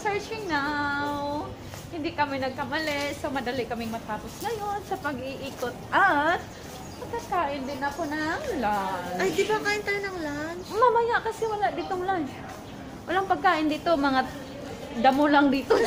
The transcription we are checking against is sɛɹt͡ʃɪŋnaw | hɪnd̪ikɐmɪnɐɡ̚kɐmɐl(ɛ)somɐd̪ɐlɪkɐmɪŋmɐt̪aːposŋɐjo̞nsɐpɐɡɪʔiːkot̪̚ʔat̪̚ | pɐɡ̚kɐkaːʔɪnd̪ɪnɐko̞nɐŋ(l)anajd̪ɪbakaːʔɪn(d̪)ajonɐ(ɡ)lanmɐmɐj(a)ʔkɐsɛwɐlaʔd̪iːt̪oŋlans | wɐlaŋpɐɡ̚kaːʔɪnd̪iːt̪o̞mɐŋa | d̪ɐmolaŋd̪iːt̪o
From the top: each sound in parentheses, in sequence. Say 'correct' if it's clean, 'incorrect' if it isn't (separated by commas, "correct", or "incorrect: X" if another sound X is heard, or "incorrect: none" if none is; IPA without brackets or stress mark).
correct, correct, incorrect: t̪, incorrect: ŋ, correct